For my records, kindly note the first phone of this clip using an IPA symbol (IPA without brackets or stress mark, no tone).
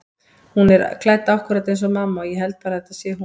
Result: h